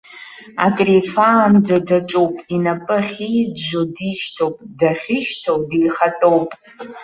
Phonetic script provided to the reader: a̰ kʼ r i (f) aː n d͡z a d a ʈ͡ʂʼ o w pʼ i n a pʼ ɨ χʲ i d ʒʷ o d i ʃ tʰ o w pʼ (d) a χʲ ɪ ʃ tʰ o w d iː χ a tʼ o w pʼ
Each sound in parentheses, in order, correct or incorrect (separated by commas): correct, correct